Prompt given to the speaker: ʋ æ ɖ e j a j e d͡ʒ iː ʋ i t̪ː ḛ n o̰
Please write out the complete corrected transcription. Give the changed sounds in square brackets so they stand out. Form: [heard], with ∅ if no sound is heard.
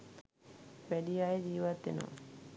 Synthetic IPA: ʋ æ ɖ [i] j a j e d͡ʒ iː ʋ [a] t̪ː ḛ n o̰